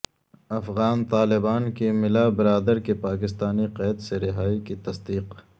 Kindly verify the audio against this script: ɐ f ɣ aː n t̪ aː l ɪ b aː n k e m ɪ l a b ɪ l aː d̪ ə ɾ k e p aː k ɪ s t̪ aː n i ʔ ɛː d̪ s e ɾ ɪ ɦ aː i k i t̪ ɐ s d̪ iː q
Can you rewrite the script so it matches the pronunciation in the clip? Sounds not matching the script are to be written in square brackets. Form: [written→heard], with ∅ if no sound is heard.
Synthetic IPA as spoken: ɐ f ɣ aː n t̪ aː l ɪ b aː n k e m ɪ l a b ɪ [l→ɾ] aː d̪ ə ɾ k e p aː k ɪ s t̪ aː n i [ʔ→q] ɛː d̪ s e ɾ ɪ ɦ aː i k i t̪ ɐ s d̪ iː q